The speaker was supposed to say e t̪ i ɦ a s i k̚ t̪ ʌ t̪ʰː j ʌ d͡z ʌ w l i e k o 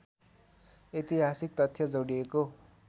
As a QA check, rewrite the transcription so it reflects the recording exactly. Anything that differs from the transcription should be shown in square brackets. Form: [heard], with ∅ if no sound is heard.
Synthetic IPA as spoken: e t̪ i ɦ a s i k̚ t̪ ʌ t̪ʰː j ʌ d͡z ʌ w [ɽ] i e k o